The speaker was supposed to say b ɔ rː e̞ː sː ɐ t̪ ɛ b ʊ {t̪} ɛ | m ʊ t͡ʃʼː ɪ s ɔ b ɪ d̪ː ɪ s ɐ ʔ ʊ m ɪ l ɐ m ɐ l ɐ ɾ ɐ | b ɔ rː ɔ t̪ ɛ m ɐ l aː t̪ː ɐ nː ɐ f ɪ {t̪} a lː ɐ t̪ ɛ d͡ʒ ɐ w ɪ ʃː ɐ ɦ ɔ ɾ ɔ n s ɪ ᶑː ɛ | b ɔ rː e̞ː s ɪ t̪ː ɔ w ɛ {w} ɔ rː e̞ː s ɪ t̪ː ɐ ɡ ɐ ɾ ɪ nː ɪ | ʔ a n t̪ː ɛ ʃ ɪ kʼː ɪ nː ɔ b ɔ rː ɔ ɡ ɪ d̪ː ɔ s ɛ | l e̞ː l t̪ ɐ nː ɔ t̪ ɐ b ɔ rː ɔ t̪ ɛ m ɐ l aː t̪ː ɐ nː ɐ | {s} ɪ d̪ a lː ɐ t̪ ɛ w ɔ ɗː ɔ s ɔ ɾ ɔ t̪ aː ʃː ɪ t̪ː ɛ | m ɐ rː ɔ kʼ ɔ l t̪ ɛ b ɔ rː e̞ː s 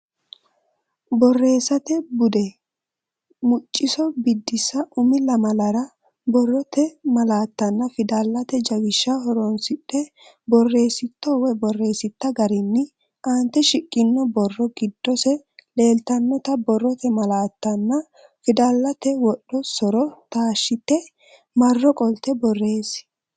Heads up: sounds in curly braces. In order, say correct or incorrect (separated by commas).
incorrect, incorrect, incorrect, incorrect